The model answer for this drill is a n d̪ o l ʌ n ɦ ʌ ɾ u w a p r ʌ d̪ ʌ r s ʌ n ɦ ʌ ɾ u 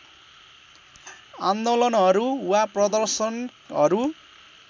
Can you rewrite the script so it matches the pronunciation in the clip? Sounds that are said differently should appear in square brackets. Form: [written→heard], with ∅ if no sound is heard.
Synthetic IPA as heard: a n d̪ o l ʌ n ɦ ʌ ɾ u w a p r ʌ d̪ ʌ r s ʌ n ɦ ʌ ɾ u